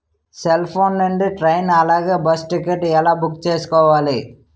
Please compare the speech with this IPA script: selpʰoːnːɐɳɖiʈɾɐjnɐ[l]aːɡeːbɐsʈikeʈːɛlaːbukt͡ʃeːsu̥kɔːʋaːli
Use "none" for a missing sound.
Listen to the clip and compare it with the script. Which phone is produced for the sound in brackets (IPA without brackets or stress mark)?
l